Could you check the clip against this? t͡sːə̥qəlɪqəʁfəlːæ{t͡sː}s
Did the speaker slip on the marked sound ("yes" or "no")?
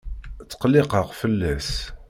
yes